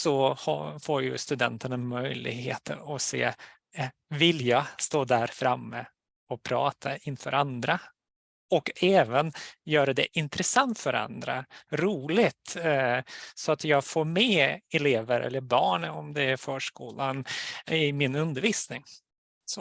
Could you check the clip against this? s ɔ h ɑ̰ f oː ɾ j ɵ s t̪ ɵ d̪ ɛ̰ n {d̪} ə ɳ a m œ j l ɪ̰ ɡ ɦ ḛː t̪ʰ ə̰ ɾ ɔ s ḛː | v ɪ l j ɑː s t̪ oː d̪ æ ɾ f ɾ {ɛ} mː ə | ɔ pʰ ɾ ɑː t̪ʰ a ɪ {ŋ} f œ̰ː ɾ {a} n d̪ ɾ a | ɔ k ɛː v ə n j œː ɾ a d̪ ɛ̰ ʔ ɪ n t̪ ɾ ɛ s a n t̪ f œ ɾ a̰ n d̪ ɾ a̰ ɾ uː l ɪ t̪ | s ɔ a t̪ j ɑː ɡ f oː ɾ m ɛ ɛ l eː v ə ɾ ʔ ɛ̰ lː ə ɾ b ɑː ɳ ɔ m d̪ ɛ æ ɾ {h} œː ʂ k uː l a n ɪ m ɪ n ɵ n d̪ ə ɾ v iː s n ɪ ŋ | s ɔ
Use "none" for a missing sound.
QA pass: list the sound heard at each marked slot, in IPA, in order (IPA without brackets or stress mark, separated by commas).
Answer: t̪, a, n, a, f